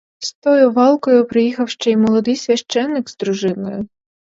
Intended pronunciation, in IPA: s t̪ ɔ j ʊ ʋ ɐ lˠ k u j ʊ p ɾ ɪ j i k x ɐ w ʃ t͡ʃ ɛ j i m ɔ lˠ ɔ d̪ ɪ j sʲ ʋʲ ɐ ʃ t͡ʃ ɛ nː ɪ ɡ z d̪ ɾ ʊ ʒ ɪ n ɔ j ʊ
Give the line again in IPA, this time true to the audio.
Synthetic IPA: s t̪ ɔ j ʊ ʋ ɑ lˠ k ɔ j ʊ p ɾ ɪ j i x ɐ w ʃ t͡ʃ ɛ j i m ɔ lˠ ɔ d̪ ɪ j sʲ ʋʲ ɐ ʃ t͡ʃ ɛ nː ɪ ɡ z d̪ ɾ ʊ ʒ ɪ n ɔ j ʊ